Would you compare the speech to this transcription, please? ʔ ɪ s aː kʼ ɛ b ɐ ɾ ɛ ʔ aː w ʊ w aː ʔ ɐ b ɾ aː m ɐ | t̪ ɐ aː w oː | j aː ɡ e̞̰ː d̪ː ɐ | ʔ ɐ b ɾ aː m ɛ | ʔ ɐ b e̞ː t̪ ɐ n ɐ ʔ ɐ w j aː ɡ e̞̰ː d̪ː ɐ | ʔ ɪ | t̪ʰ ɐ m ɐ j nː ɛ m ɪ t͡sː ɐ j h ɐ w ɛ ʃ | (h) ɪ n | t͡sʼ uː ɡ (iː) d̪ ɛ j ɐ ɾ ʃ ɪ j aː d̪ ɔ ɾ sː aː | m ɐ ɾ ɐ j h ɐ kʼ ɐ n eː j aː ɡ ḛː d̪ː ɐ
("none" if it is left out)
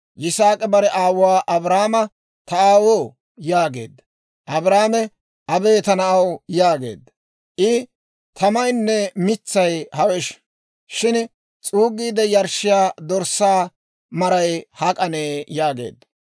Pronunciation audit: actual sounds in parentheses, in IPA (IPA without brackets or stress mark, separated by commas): ʃ, iː